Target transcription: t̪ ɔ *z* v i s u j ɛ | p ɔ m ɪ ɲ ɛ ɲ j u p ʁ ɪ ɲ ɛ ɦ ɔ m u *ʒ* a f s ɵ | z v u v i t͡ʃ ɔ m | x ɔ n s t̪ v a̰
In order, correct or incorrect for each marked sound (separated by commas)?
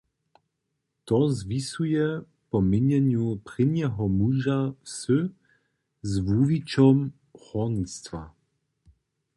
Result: correct, correct